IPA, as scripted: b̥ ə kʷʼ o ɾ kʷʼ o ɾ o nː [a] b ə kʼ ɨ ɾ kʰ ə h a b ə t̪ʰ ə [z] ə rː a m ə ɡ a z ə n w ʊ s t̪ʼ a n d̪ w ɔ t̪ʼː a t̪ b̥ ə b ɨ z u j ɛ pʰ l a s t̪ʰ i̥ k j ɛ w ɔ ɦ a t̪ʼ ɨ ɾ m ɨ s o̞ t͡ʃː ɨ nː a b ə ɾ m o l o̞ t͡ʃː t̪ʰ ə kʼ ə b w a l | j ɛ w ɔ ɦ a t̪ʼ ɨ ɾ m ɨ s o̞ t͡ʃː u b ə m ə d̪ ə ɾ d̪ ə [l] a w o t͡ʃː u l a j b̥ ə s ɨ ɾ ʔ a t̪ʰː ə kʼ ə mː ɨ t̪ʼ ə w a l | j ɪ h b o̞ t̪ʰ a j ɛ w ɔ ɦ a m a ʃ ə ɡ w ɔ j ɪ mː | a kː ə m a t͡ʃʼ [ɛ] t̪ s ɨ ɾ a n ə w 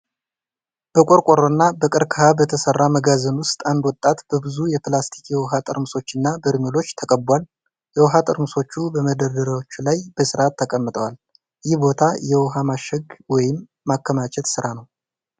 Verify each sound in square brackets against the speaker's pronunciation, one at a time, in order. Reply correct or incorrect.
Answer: correct, incorrect, incorrect, correct

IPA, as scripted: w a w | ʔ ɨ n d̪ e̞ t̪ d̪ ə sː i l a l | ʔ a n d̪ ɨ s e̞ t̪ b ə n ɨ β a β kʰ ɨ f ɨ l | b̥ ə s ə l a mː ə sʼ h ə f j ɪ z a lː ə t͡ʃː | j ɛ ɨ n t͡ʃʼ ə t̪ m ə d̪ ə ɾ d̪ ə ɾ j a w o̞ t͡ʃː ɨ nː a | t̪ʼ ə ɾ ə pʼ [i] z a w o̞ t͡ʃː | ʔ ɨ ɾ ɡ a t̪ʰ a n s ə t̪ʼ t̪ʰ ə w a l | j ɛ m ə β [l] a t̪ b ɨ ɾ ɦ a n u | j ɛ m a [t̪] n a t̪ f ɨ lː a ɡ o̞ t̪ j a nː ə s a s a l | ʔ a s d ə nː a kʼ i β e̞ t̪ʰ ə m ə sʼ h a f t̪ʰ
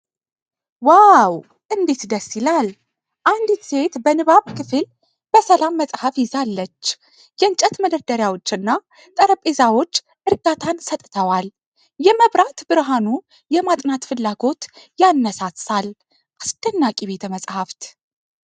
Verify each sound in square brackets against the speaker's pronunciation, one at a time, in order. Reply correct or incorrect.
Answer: incorrect, incorrect, incorrect

